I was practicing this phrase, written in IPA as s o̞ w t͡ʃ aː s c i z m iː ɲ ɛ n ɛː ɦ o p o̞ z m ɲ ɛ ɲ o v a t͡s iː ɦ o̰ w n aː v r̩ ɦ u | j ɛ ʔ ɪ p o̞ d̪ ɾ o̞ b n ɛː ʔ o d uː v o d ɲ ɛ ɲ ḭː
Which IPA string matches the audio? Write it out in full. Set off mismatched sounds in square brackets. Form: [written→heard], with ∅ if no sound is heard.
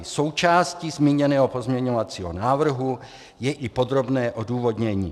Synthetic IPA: s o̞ w t͡ʃ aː s c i z m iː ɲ ɛ n ɛː ɦ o p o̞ z m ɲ ɛ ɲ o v a t͡s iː ɦ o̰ [w→∅] n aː v r̩ ɦ u | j ɛ ʔ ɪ p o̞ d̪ ɾ o̞ b n ɛː ʔ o d uː v o d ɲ ɛ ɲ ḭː